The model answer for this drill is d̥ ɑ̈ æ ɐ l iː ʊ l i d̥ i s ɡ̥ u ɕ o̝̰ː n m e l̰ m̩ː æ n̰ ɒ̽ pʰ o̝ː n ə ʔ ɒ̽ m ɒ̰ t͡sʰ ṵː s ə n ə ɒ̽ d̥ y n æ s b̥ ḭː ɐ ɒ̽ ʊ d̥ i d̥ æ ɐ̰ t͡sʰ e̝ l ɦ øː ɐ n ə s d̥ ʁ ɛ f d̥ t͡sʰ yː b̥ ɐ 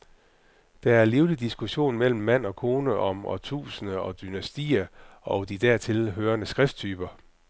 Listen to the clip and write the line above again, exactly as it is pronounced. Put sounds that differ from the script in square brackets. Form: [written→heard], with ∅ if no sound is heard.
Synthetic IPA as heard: d̥ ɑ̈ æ ɐ l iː ʊ l i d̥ i s ɡ̥ u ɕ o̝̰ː n m e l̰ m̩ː æ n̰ ɒ̽ [pʰ→kʰ] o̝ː n ə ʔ ɒ̽ m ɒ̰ t͡sʰ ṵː s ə n ə ɒ̽ d̥ y n æ s [b̥→d̥] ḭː ɐ ɒ̽ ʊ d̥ i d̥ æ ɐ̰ t͡sʰ e̝ l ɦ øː ɐ n ə s [d̥→ɡ̥] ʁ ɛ f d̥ t͡sʰ yː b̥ ɐ